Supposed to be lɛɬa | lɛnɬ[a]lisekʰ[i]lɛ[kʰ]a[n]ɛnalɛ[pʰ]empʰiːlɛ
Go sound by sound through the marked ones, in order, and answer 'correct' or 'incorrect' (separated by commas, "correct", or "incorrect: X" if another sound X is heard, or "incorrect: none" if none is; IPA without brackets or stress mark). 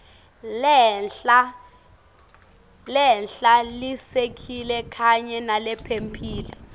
correct, correct, correct, incorrect: ɲ, correct